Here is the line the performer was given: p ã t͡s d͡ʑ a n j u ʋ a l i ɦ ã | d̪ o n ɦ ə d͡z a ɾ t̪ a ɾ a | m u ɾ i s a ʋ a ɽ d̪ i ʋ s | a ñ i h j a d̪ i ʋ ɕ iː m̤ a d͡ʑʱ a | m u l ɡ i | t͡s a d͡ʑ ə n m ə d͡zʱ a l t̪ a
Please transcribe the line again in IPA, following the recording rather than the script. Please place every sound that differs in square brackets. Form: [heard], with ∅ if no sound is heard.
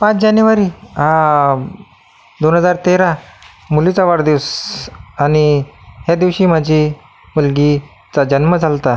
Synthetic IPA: p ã t͡s d͡ʑ a n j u ʋ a [ɾ] i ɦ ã | d̪ o n ɦ ə d͡z a ɾ t̪ [e] ɾ a | m u [l] i [t͡s] a ʋ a ɽ d̪ i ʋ s | a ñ i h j a d̪ i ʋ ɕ iː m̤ a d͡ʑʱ [i] | m u l ɡ i | t͡s a d͡ʑ ə n m ə d͡zʱ a l t̪ a